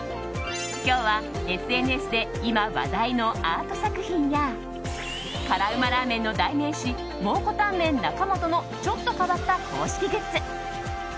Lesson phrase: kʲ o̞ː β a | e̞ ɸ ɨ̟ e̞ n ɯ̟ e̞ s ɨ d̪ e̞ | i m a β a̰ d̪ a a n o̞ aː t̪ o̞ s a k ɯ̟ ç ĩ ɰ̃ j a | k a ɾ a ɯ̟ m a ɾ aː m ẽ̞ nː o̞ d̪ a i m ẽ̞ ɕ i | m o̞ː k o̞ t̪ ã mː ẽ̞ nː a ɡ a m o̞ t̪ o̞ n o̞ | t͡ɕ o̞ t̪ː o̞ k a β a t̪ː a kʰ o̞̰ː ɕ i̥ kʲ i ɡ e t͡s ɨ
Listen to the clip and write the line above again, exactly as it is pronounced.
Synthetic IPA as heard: kʲ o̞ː β a | e̞ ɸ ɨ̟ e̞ n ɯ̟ e̞ s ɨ d̪ e̞ | i m a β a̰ d̪ a i n o̞ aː t̪ o̞ s a k ɯ̟ ç ĩ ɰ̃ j a | k a ɾ a ɯ̟ m a ɾ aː m ẽ̞ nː o̞ d̪ a i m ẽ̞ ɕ i | m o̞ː k o̞ t̪ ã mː ẽ̞ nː a k a m o̞ t̪ o̞ n o̞ | t͡ɕ o̞ t̪ː o̞ k a β a t̪ː a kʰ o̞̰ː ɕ i̥ kʲ i ɡ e t͡s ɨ

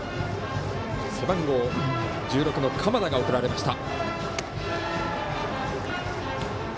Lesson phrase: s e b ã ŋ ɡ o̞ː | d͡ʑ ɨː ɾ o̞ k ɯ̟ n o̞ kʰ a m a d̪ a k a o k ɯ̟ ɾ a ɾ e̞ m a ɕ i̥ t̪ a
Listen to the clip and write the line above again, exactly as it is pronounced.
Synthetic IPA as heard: s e b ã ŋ ɡ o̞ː | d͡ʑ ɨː ɾ o̞ k ɯ̟ n o̞ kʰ a m a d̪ a ɡ a o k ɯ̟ ɾ a ɾ e̞ m a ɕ i̥ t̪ a

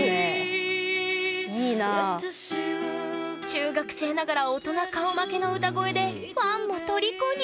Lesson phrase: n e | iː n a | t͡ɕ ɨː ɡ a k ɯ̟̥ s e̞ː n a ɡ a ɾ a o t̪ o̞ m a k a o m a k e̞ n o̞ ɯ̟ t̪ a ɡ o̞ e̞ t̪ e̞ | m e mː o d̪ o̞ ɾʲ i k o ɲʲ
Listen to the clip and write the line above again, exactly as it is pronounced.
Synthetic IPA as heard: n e | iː n a | t͡ɕ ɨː ɡ a k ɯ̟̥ s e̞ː n a ɡ a ɾ a o t̪ o̞ n a k a o m a k e̞ n o̞ ɯ̟ t̪ a ɡ o̞ e̞ d̪ e̞ | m a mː o t̪ o̞ ɾʲ i k o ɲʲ

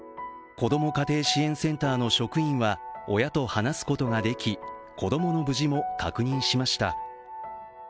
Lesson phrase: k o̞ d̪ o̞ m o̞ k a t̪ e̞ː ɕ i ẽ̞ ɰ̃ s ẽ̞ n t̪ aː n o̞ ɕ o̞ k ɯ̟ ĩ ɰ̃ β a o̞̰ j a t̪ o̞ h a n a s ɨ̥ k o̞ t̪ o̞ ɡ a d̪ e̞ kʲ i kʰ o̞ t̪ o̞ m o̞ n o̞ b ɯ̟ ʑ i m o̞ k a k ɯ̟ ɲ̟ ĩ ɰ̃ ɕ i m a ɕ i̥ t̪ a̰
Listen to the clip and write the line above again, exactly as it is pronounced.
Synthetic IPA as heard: k o̞ d̪ o̞ m o̞ k a t̪ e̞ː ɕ i ẽ̞ ɰ̃ s ẽ̞ n t̪ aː n o̞ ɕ o̞ k ɯ̟ ĩ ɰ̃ β a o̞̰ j a t̪ o̞ h a n a s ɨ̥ k o̞ t̪ o̞ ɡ a d̪ e̞ kʲ i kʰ o̞ d̪ o̞ m o̞ n o̞ b ɯ̟ ʑ i m o̞ k a k ɯ̟ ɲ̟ ĩ ɰ̃ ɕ i m a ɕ i̥ t̪ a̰

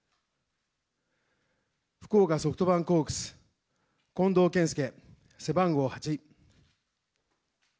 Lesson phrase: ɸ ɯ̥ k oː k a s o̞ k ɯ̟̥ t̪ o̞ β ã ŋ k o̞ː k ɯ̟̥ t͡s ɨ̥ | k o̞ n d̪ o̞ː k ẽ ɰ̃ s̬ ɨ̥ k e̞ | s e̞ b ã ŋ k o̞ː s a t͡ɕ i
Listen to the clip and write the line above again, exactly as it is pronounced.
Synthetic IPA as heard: ɸ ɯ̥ k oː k a s o̞ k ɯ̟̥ t̪ o̞ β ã ŋ k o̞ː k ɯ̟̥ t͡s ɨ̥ | k õ̞ n d̪ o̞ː k ẽ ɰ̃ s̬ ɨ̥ k e̞ | s e̞ b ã ŋ ɡ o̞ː h a t͡ɕ i

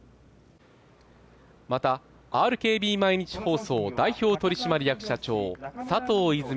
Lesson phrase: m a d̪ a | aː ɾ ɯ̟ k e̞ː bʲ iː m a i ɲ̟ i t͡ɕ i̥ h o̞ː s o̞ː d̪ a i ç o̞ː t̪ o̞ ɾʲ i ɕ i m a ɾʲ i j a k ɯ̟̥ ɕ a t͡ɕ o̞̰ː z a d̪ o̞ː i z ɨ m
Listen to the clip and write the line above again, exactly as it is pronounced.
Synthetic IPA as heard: m a t̪ a | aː ɾ ɯ̟ k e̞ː bʲ iː m a i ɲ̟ i t͡ɕ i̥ h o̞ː s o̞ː d̪ a i ç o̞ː t̪ o̞ ɾʲ i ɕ i m a ɾʲ i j a k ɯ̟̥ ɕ a t͡ɕ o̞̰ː s a t̪ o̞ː i z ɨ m

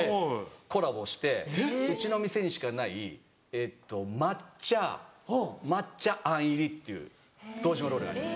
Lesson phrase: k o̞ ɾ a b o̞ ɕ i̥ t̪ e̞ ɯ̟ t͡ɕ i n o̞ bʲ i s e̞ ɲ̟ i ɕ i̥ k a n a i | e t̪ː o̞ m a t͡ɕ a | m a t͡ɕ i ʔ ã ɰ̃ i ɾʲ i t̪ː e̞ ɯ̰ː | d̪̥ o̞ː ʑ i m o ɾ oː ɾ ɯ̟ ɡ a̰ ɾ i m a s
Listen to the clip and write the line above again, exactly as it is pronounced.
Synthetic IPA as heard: k o̞ ɾ a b o̞ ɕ i̥ t̪ e̞ ɯ̟ t͡ɕ i n o̞ mʲ i s e̞ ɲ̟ i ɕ i̥ k a n a i | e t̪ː o̞ m a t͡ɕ a | m a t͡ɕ a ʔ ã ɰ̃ i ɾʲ i t̪ː e̞ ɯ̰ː | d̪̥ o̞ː ʑ i m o ɾ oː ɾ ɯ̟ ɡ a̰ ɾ i m a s

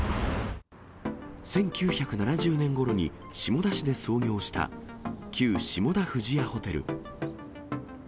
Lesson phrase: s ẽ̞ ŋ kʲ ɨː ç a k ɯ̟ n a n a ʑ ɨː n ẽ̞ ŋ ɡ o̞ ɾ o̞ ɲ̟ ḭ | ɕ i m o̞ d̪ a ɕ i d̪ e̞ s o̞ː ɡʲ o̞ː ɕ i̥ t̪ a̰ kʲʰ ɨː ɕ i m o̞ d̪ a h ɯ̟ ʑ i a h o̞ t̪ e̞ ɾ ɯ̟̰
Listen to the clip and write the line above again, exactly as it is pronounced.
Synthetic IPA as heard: s ẽ̞ ŋ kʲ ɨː ç a k ɯ̟ n a n a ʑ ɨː n ẽ̞ ŋ ɡ o̞ ɾ o̞ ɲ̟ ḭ | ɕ i m o̞ d̪ a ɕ i d̪ e̞ s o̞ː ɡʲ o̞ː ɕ i̥ t̪ a̰ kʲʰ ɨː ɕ i m o̞ d̪ a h ɯ̟ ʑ i a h o̞ t̪ e̞ ɾ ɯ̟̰

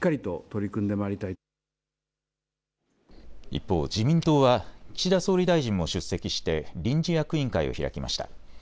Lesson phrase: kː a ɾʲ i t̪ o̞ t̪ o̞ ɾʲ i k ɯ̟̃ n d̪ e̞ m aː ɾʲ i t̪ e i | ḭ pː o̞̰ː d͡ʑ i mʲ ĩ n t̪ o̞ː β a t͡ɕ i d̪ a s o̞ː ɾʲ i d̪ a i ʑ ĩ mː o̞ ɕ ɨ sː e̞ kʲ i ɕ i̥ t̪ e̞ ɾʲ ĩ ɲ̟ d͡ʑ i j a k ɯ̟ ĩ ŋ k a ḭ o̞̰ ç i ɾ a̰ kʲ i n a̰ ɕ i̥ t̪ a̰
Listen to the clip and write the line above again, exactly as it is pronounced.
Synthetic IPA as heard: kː a ɾʲ i t̪ o̞ t̪ o̞ ɾʲ i k ɯ̟̃ n d̪ e̞ m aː ɾʲ i t̪ a i | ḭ pː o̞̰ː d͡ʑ i mʲ ĩ n t̪ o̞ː β a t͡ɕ i d̪ a s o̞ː ɾʲ i d̪ a i ʑ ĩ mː o̞ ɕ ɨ sː e̞ kʲ i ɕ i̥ t̪ e̞ ɾʲ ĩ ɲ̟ d͡ʑ i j a k ɯ̟ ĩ ŋ k a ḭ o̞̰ ç i ɾ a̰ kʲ i m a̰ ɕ i̥ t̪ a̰

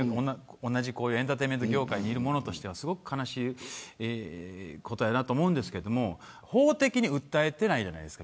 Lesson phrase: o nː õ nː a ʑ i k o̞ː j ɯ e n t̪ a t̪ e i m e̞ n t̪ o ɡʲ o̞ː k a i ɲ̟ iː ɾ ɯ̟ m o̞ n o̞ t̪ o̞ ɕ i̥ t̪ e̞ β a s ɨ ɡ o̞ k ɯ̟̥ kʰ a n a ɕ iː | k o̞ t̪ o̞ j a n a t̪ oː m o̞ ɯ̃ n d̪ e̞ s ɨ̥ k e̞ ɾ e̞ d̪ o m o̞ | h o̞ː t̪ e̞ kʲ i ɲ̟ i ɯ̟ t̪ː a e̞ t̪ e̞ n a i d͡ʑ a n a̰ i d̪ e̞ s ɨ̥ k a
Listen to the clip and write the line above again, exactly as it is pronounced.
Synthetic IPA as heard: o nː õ nː a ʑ i k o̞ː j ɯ e n t̪ a t̪ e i m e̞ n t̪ o ɡʲ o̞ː k a i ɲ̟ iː ɾ ɯ̟ m o̞ n o̞ t̪ o̞ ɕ i̥ t̪ e̞ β a s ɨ ɡ o̞ k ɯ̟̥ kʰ a n a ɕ iː | k o̞ t̪ o̞ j a n a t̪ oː m o̞ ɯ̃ n d̪ e̞ s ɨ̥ k e̞ ɾ e̞ d̪ o m o̞ | h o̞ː t̪ e̞ kʲ i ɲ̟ i ɯ̟ t̪ː a e̞ t̪ e̞ n a i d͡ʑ a n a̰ i d̪ e̞ s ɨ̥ k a

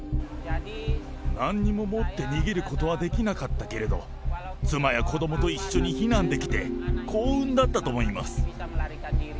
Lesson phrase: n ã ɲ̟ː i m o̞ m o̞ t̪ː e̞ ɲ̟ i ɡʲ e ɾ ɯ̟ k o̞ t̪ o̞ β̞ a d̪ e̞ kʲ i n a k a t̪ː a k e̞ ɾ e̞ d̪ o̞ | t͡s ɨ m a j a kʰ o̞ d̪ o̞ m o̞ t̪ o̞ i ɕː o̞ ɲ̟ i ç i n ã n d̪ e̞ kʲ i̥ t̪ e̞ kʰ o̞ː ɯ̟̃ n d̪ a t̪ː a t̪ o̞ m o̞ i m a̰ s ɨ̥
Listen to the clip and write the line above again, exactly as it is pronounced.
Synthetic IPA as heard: n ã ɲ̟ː i m o̞ m o̞ t̪ː e̞ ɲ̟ i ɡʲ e ɾ ɯ̟ k o̞ t̪ o̞ β̞ a d̪ e̞ kʲ i n a k a t̪ː a k e̞ ɾ e̞ d̪ o̞ | t͡s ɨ m a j a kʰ o̞ d̪ o̞ m o̞ t̪ o̞ i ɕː o̞ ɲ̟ i ç i n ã n d̪ e̞ kʲ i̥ t̪ e̞ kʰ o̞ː ɯ̟̃ n d̪ a t̪ː a t̪ o̞ m o̞ i m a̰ s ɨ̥

